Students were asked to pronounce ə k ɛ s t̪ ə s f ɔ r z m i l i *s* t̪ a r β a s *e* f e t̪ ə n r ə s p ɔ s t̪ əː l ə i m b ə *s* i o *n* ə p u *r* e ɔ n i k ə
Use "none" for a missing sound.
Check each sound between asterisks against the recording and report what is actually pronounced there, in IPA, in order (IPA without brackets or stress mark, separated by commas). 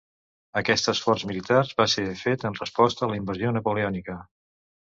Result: none, e, z, n, l